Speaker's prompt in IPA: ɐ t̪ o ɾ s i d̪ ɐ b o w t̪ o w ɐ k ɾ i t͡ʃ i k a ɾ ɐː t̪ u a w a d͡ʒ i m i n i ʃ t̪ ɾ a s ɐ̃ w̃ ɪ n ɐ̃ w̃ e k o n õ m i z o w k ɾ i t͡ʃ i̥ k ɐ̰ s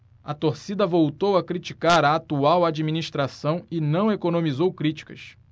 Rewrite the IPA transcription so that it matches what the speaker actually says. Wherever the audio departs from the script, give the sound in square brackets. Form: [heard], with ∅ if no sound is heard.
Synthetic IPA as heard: ɐ t̪ o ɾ s i d̪ ɐ [v] o w t̪ o w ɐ k ɾ i t͡ʃ i k a ɾ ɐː t̪ u a w a d͡ʒ i m i n i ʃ t̪ ɾ a s ɐ̃ w̃ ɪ n ɐ̃ w̃ e k o n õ m i z o w k ɾ i t͡ʃ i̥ k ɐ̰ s

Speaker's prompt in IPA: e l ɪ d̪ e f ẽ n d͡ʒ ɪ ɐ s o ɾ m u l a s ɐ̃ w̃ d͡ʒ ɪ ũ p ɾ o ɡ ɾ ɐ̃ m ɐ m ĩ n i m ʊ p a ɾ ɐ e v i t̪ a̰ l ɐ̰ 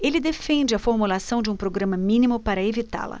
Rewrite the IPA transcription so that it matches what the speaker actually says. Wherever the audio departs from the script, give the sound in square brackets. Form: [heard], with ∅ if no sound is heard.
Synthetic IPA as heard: e l ɪ d̪ e f ẽ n d͡ʒ ɪ ɐ [f] o ɾ m u l a s ɐ̃ w̃ d͡ʒ ɪ ũ p ɾ o ɡ ɾ ɐ̃ m ɐ m ĩ n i m ʊ p a ɾ ɐ e v i t̪ a̰ l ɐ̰

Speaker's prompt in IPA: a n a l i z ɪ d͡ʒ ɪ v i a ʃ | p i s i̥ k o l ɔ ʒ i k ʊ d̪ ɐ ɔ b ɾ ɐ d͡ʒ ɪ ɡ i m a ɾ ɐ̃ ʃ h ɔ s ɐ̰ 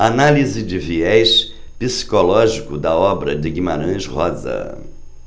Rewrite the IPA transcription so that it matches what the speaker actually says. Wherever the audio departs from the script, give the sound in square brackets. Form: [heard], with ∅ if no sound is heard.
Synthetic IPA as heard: a n a l i z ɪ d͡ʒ ɪ v i [ɛ] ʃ | p i s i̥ k o l ɔ ʒ i k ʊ d̪ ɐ ɔ b ɾ ɐ d͡ʒ ɪ ɡ i m a ɾ ɐ̃ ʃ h ɔ [z] ɐ̰

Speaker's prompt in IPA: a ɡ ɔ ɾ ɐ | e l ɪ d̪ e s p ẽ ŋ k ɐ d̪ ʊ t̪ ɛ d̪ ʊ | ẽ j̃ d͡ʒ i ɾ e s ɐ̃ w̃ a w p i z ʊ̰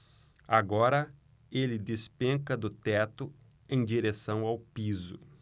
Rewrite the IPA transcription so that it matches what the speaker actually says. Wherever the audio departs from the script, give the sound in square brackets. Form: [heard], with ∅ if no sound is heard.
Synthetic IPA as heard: a ɡ ɔ ɾ ɐ | e l ɪ d̪ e s p ẽ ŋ k ɐ d̪ ʊ t̪ ɛ [t̪] ʊ | ẽ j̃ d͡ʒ i ɾ e s ɐ̃ w̃ a w p i z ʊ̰

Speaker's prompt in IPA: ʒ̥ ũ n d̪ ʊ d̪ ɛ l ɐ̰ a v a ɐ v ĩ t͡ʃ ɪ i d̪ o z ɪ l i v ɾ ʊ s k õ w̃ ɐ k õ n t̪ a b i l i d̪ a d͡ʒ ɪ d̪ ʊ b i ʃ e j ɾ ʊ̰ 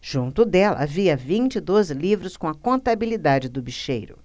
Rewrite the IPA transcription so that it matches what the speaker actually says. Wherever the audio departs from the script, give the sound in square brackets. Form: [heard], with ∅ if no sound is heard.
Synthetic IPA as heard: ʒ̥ ũ n [t̪] ʊ d̪ ɛ l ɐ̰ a v [i] ɐ v ĩ t͡ʃ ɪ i d̪ o z ɪ l i v ɾ ʊ s k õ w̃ ɐ k õ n t̪ a b i l i d̪ a d͡ʒ ɪ d̪ ʊ b i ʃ e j ɾ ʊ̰

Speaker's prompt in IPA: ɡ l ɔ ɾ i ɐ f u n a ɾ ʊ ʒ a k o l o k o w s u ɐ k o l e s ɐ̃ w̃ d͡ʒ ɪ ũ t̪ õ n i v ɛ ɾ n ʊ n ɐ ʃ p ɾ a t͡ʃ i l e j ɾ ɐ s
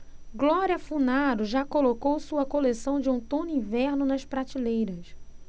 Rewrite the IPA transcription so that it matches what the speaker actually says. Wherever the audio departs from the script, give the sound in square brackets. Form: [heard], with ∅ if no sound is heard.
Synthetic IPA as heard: ɡ l ɔ ɾ i ɐ f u n a ɾ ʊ ʒ a k o l o k o w s u ɐ k o l e s ɐ̃ w̃ d͡ʒ ɪ ũ t̪ õ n [ĩ] v ɛ ɾ n ʊ n ɐ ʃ p ɾ a t͡ʃ i l e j ɾ ɐ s

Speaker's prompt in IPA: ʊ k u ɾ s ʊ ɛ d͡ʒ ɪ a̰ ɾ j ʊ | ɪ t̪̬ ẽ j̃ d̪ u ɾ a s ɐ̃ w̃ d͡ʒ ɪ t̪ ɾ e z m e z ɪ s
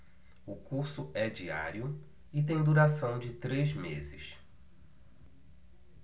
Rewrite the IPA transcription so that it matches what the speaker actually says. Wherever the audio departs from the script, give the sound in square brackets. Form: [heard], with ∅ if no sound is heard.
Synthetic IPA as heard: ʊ k u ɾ s ʊ ɛ d͡ʒ [i] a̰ ɾ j ʊ | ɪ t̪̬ ẽ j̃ d̪ u ɾ a s ɐ̃ w̃ d͡ʒ ɪ t̪ ɾ e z m e z ɪ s

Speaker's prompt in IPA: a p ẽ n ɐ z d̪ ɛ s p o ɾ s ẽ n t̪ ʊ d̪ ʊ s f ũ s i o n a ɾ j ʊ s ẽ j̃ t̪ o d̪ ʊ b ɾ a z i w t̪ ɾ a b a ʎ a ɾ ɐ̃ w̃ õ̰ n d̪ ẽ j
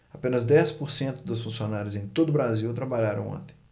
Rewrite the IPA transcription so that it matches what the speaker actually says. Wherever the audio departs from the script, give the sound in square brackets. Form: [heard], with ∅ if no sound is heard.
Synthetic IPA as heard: a p ẽ n ɐ z d̪ ɛ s p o ɾ s ẽ n t̪ ʊ d̪ ʊ s f ũ s i o n a ɾ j ʊ [z] ẽ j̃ t̪ o d̪ ʊ b ɾ a z i w t̪ ɾ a b a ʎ a ɾ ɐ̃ w̃ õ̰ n [t̪] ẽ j

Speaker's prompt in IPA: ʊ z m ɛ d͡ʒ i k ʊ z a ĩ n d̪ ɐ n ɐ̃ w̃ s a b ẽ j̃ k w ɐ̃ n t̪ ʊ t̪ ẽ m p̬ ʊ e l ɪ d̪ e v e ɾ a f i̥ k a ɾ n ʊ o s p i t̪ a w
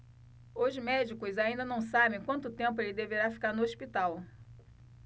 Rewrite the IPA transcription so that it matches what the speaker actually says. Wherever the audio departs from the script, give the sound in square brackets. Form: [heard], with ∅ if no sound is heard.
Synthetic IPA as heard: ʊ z m ɛ d͡ʒ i k ʊ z a ĩ n d̪ ɐ n ɐ̃ w̃ s a b ẽ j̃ k w ɐ̃ n t̪ ʊ t̪ ẽ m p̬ ʊ e l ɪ d̪ e v e ɾ a f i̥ k a ɾ n ʊ o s p i t̪ a w

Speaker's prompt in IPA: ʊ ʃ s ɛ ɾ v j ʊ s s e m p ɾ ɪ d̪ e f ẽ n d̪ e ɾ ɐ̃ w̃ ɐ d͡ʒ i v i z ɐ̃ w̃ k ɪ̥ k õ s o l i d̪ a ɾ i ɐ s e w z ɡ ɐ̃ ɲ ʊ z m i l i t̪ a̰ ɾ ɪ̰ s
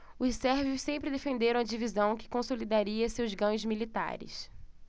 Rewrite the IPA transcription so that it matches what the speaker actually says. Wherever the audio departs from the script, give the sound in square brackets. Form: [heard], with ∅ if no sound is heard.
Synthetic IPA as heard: ʊ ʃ s ɛ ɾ v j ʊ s s [ẽ] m p ɾ ɪ d̪ e f ẽ n d̪ e ɾ ɐ̃ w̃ ɐ d͡ʒ i v i z ɐ̃ w̃ k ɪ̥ k õ s o l i d̪ a ɾ i ɐ s e w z ɡ ɐ̃ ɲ ʊ z m i l i t̪ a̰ ɾ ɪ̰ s

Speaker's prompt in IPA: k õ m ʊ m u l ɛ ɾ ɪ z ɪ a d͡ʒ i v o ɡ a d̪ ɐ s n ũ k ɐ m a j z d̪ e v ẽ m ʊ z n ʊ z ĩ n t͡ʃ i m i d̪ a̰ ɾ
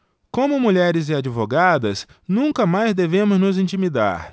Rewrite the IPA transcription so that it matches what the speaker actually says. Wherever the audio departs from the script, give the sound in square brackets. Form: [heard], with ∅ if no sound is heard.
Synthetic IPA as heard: k õ m ʊ m u [ʎ] ɛ ɾ ɪ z ɪ a d͡ʒ i v o ɡ a d̪ ɐ s n ũ k ɐ m a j z d̪ e v ẽ m ʊ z n ʊ z ĩ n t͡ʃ i m i d̪ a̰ ɾ

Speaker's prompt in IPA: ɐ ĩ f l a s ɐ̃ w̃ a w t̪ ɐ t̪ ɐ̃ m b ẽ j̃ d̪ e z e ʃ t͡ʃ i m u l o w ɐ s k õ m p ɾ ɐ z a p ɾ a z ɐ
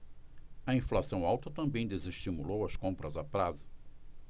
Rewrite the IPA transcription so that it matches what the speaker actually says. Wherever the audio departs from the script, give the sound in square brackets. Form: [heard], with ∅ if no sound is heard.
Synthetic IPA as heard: ɐ ĩ f l a s ɐ̃ w̃ a w t̪ ɐ t̪ ɐ̃ m b ẽ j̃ d̪ e z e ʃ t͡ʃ i m u l o w ɐ s k õ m p ɾ ɐ z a p ɾ a z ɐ

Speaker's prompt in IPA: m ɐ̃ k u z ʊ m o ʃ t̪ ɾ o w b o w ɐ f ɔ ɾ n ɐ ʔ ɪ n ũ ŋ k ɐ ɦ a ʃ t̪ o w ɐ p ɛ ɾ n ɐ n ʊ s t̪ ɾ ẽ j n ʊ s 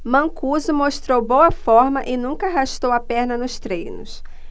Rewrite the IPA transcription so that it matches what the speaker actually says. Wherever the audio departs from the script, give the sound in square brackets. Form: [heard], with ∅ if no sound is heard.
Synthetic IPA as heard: m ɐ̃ k u z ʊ m o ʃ t̪ ɾ o w b o w ɐ f ɔ ɾ [m] ɐ ʔ ɪ n ũ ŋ k ɐ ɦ a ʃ t̪ o w ɐ p ɛ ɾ n ɐ n ʊ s t̪ ɾ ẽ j n ʊ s

